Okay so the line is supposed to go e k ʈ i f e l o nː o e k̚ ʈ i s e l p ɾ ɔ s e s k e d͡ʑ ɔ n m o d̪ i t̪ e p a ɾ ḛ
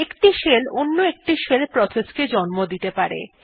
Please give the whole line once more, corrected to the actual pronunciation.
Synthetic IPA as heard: e k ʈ i ʃ e l o nː o e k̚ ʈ i ʃ e l p ɾ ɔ s e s k e d͡ʑ ɔ n m o d̪ i t̪ e p a ɾ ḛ